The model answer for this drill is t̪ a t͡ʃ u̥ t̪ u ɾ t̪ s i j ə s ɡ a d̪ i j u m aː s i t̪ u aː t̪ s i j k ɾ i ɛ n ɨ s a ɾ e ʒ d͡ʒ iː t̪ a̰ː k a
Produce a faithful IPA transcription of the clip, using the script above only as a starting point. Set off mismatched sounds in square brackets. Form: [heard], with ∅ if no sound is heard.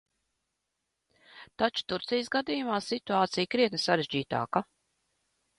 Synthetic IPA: t̪ a t͡ʃ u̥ t̪ u ɾ t̪ s i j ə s ɡ a d̪ i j u m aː s i t̪ u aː t̪ s i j k ɾ i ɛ n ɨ s a ɾ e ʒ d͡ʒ iː t̪ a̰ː k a